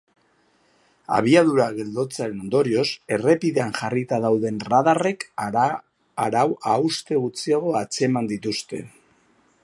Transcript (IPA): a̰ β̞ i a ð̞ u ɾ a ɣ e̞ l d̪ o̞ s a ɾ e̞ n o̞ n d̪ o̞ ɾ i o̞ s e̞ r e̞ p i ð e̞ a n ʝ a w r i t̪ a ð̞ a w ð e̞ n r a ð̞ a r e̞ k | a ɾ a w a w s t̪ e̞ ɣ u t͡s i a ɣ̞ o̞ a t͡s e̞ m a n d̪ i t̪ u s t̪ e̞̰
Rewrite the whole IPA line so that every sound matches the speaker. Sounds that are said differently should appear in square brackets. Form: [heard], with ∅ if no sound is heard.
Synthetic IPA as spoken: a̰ β̞ i a ð̞ u ɾ a ɣ e̞ l d̪ o̞ [t͡s] a ɾ e̞ n o̞ n d̪ o̞ ɾ i o̞ s e̞ r e̞ p i ð e̞ a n ʝ a [∅] r i t̪ a ð̞ a w ð e̞ n r a ð̞ a r e̞ k | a ɾ a w a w s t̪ e̞ ɣ u t͡s i a ɣ̞ o̞ a t͡s e̞ m a n d̪ i t̪ u s t̪ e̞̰

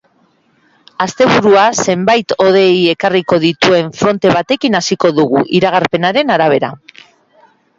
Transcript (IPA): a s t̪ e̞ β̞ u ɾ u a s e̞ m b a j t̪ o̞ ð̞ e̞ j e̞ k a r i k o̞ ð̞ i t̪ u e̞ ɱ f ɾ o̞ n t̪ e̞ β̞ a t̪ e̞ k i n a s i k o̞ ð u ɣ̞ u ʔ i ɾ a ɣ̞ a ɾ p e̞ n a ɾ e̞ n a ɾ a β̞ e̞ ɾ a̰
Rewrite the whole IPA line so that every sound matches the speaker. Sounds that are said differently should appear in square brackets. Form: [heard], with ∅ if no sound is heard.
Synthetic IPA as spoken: a s t̪ e̞ β̞ u ɾ u a s e̞ m b a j t̪ o̞ ð̞ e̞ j e̞ k a r i k o̞ ð̞ i t̪ u e̞ ɱ f ɾ o̞ n t̪ e̞ β̞ a t̪ e̞ k i n a s i k o̞ ð u ɣ̞ u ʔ i ɾ a ɣ̞ a ɾ p e̞ n a ɾ e̞ n a ɾ a β̞ e̞ ɾ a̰

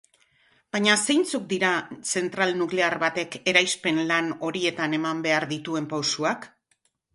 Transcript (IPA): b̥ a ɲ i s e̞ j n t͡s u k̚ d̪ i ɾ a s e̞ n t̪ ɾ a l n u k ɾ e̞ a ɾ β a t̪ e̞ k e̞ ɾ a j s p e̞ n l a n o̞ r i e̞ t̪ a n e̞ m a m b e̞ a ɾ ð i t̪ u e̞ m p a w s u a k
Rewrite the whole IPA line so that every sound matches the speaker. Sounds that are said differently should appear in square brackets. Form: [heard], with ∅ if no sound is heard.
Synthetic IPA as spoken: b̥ a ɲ [a] s e̞ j n t͡s u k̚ d̪ i ɾ a s e̞ n t̪ ɾ a l n u k [l] e̞ a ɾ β a t̪ e̞ k e̞ ɾ a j s p e̞ n l a n o̞ [ɾ] i e̞ t̪ a n e̞ m a m b e̞ a ɾ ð i t̪ u e̞ m p a w s u a k

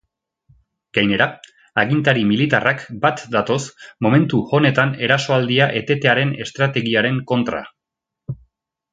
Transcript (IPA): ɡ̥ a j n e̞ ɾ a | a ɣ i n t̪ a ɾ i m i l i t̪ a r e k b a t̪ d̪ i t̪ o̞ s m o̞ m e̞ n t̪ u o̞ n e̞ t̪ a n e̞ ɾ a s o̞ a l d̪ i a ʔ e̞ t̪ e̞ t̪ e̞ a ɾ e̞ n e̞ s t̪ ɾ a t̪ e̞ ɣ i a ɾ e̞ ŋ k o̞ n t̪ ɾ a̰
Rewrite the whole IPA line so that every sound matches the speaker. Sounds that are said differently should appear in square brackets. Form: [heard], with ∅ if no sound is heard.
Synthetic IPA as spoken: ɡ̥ a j n e̞ ɾ a | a ɣ i n t̪ a ɾ i m i l i t̪ a r [a] k b a t̪ d̪ [a] t̪ o̞ s m o̞ m e̞ n t̪ u o̞ n e̞ t̪ a n e̞ ɾ a s o̞ a l d̪ i a ʔ e̞ t̪ e̞ t̪ e̞ a ɾ e̞ n e̞ s t̪ ɾ a t̪ e̞ ɣ i a ɾ e̞ ŋ k o̞ n t̪ ɾ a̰

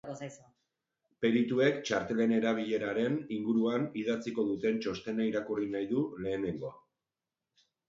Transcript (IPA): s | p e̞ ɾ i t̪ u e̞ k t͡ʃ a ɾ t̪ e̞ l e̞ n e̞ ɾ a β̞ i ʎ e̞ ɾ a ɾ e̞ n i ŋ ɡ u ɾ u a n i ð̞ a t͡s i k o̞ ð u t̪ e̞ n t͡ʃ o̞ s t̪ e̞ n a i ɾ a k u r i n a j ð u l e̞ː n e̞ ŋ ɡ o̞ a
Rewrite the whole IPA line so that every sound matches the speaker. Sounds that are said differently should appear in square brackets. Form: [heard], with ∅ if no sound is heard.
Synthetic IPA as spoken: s | p e̞ ɾ i t̪ u e̞ k t͡ʃ a ɾ t̪ e̞ l e̞ n e̞ ɾ a β̞ i ʎ e̞ ɾ a ɾ e̞ n i ŋ ɡ u ɾ u a n i ð̞ a t͡s i k o̞ ð u t̪ e̞ n t͡ʃ o̞ s t̪ e̞ n a i ɾ a k u r i n a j ð u l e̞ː n e̞ ŋ ɡ o̞ a

